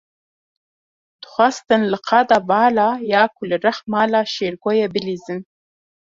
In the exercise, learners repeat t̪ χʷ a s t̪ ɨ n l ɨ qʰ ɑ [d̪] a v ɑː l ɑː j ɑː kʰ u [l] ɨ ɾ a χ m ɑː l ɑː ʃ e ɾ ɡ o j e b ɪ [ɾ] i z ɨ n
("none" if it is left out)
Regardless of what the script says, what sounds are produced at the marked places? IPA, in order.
d̪, l, l

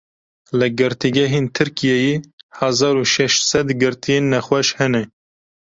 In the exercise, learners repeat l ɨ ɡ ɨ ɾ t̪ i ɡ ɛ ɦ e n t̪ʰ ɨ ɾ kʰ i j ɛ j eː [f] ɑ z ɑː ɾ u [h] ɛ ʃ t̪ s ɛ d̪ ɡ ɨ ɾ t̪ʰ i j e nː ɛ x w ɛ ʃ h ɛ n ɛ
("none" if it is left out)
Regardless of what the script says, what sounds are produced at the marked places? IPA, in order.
h, ʃ

